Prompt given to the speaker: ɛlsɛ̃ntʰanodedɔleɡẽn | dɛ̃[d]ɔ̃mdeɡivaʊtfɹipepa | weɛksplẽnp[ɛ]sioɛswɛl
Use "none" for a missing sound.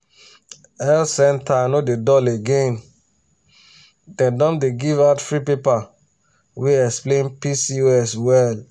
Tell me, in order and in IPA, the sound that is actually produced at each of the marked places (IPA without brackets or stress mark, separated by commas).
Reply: d, i